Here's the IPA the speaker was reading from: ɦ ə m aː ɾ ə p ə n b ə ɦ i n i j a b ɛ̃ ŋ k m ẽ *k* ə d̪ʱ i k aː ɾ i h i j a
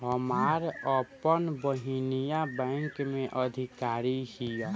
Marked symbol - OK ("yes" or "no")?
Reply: no